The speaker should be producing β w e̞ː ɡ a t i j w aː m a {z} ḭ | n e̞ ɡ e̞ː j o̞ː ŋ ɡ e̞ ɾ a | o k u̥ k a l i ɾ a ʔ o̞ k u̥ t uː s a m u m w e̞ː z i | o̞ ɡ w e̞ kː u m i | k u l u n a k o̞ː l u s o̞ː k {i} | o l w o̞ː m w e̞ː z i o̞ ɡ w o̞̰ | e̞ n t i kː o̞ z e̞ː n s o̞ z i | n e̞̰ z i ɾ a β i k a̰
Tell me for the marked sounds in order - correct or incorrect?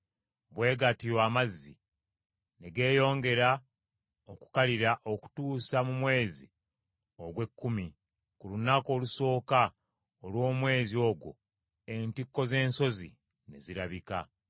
incorrect, incorrect

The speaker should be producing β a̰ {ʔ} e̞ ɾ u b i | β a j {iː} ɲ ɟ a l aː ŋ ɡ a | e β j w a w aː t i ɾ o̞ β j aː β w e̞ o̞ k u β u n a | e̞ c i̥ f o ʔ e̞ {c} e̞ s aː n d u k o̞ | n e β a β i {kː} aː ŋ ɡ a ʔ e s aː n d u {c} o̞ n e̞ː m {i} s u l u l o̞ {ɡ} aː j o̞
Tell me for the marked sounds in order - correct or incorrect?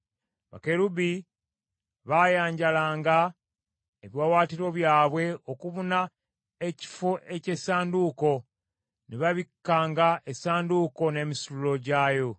incorrect, incorrect, correct, correct, incorrect, correct, incorrect

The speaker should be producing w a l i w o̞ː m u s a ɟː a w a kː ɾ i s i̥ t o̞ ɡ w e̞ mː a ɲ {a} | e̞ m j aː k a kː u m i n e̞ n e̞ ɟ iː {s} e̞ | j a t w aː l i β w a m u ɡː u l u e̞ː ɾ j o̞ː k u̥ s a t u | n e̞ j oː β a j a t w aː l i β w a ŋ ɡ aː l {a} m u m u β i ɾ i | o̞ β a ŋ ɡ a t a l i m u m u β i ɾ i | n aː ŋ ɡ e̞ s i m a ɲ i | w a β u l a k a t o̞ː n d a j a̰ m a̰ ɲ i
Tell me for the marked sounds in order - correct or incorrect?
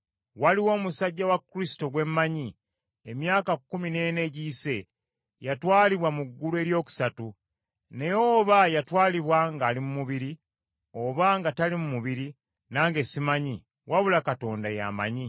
incorrect, correct, incorrect

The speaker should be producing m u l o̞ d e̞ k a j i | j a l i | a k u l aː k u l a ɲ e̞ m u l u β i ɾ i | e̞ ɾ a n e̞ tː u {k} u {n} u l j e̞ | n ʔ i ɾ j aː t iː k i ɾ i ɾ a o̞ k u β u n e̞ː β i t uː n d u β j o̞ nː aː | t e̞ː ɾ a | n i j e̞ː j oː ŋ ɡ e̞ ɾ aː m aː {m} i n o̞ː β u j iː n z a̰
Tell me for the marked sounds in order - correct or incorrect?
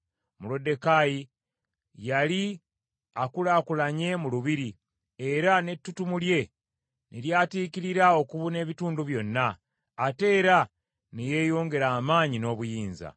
incorrect, incorrect, incorrect

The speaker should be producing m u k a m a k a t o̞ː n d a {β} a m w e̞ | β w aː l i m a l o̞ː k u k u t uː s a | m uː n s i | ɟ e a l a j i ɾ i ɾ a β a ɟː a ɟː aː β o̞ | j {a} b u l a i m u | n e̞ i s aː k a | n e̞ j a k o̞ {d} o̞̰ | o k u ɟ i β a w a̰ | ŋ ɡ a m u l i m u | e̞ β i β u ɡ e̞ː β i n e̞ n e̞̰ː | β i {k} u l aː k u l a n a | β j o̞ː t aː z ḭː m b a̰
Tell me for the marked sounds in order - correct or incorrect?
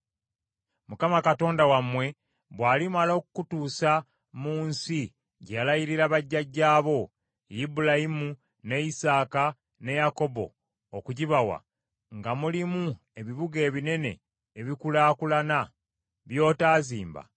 incorrect, incorrect, incorrect, correct

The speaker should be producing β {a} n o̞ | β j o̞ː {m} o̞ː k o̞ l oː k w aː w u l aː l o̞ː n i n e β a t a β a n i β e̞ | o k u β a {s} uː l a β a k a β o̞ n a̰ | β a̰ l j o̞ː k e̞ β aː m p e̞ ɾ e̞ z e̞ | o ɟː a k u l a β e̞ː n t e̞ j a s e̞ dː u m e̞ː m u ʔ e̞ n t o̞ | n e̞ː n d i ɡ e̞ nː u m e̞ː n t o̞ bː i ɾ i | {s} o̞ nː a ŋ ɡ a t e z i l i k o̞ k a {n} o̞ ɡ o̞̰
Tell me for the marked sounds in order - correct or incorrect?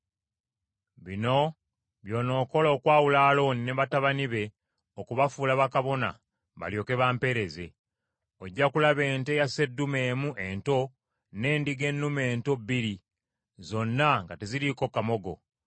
incorrect, incorrect, incorrect, incorrect, incorrect

